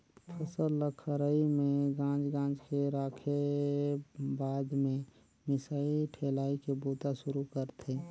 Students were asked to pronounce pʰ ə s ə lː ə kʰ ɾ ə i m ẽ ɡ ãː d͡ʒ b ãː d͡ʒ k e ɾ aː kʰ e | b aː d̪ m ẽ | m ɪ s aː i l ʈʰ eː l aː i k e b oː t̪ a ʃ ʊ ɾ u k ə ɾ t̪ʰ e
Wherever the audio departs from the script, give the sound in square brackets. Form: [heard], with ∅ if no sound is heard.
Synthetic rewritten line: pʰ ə s ə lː ə kʰ ɾ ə i m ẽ ɡ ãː d͡ʒ [ɡ] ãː d͡ʒ k e ɾ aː kʰ e | b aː d̪ m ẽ | m ɪ s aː i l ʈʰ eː l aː i k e b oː t̪ a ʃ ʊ ɾ u k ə ɾ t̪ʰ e